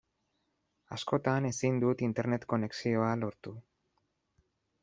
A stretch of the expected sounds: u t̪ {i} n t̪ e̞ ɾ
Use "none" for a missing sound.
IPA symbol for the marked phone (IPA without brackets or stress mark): i